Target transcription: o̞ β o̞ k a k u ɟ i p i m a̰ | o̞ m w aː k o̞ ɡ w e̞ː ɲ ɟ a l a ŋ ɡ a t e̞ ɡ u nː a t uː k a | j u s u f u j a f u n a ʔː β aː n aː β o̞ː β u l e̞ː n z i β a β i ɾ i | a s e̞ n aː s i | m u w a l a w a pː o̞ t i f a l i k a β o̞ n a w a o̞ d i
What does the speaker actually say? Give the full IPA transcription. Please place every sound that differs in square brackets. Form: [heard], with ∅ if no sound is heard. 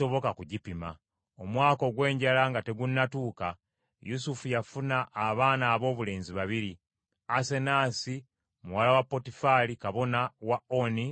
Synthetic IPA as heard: o̞ β o̞ k a k u ɟ i p i m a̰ | o̞ m w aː k o̞ ɡ w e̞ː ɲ ɟ a l a ŋ ɡ a t e̞ ɡ u nː a t uː k a | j u s u f u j a f u n a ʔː β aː n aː β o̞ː β u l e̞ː n z i β a β i ɾ i | a s e̞ n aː s i | m u w a l a w a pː o̞ t i f a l i k a β o̞ n a w a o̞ [n] i

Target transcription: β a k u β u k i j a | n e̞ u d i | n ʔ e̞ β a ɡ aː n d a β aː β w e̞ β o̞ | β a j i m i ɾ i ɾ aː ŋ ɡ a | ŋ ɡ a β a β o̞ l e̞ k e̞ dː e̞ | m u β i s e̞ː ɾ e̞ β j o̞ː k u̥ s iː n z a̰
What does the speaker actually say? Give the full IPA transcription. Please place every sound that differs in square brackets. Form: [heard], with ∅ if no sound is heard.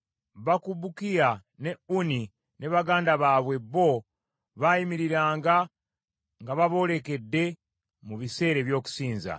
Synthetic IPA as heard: β a k u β u k i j a | n e̞ u [n] i | n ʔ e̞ β a ɡ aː n d a β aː β w e̞ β o̞ | β a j i m i ɾ i ɾ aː ŋ ɡ a | ŋ ɡ a β a β o̞ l e̞ k e̞ dː e̞ | m u β i s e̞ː ɾ e̞ β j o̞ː k u̥ s iː n z a̰

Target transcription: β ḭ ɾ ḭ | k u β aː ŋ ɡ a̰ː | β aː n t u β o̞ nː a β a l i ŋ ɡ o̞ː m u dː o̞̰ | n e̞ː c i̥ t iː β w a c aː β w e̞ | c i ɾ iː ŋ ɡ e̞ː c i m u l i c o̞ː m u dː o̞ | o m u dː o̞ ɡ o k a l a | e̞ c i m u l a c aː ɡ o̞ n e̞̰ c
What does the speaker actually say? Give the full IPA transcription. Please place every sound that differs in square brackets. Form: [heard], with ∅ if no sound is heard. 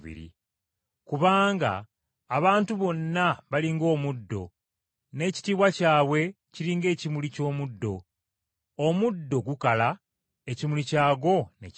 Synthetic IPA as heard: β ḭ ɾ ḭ | k u β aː ŋ ɡ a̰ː | β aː n t u β o̞ nː a β a l i ŋ ɡ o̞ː m u dː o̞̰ | n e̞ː c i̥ t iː β w a c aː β w e̞ | c i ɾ iː ŋ ɡ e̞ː c i m u l i c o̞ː m u dː o̞ | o m u dː o̞ ɡ [u] k a l a | e̞ c i m u l [i] c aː ɡ o̞ n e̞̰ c

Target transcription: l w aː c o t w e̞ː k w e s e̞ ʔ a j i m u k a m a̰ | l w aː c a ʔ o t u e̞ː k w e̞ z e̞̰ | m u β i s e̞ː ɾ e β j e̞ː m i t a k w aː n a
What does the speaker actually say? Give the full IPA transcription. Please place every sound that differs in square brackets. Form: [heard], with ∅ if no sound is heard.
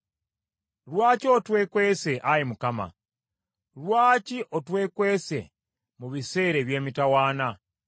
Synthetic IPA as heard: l w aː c o t w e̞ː k w e s e̞ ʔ a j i m u k a m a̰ | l w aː c [i] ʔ o t [w] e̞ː k w e̞ [s] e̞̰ | m u β i s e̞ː ɾ e β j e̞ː m i t a [∅] w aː n a

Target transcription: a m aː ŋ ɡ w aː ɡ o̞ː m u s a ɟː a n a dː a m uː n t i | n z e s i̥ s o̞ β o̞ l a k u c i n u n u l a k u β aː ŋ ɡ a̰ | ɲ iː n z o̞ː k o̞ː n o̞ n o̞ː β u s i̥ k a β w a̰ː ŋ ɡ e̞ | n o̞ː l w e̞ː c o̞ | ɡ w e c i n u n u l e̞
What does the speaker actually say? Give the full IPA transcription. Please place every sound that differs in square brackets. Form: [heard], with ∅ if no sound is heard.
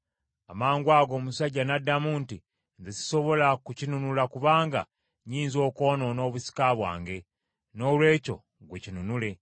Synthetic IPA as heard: a m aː ŋ ɡ w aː ɡ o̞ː m u s a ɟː a n a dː a m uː n t i | n z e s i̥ s o̞ β o̞ l a k u c i n u n u l a k u β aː ŋ ɡ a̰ | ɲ iː n z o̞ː k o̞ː n o̞ n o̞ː β u s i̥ k a β w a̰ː ŋ ɡ e̞ | n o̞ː l w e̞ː c o̞ | ɡ w e c i n u n u l e̞

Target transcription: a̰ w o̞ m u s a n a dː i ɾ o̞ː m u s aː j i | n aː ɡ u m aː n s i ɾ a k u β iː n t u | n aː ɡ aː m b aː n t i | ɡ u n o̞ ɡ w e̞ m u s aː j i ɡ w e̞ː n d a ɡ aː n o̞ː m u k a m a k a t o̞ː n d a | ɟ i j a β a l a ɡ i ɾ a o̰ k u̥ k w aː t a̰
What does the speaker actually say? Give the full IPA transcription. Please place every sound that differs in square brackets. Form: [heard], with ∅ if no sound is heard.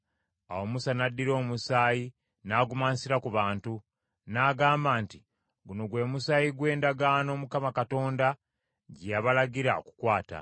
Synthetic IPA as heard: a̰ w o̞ m u s a n a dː i ɾ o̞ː m u s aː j i | n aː ɡ u m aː n s i ɾ a k u β [aː] n t u | n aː ɡ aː m b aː n t i | ɡ u n o̞ ɡ w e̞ m u s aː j i ɡ w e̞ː n d a ɡ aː n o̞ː m u k a m a k a t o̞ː n d a | ɟ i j a β a l a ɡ i ɾ a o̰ k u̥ k w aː t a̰

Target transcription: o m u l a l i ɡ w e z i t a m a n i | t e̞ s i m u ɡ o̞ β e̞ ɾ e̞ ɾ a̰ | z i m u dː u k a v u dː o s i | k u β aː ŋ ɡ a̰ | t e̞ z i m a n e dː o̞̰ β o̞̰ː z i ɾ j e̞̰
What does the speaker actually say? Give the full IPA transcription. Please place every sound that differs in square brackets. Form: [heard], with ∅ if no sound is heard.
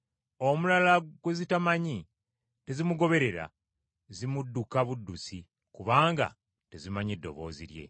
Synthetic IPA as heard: o m u l a l [a] ɡ w e z i t a m a [ɲ] i | t e̞ [z] i m u ɡ o̞ β e̞ ɾ e̞ ɾ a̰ | z i m u dː u k a [β] u dː [u] s i | k u β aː ŋ ɡ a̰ | t e̞ z i m a [ɲ] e dː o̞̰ β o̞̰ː z i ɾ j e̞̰

